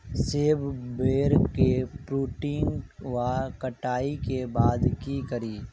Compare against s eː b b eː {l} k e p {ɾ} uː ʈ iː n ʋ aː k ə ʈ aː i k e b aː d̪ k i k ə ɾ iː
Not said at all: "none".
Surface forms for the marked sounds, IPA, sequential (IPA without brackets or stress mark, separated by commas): ɾ, ɾ